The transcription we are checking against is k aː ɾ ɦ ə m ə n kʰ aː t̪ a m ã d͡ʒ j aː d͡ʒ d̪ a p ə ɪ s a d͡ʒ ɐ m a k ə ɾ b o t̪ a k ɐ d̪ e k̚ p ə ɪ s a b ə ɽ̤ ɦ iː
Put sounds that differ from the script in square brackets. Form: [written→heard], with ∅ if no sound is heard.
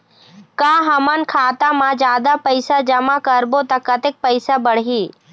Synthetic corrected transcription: k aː [ɾ→∅] ɦ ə m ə n kʰ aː t̪ a m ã d͡ʒ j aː [d͡ʒ→∅] d̪ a p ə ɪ s a d͡ʒ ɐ m a k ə ɾ b o t̪ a k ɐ [d̪→t̪] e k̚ p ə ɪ s a b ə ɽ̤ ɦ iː